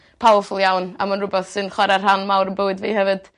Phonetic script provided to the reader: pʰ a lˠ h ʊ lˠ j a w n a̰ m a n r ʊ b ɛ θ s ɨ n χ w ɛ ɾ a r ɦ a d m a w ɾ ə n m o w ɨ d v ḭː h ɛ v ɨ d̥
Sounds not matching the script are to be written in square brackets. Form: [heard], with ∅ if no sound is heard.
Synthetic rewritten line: pʰ a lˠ [f] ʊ lˠ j a w n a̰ m a n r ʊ b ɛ θ s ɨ n χ w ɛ ɾ a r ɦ a [n] m a w ɾ ə n [b] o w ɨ d v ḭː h ɛ v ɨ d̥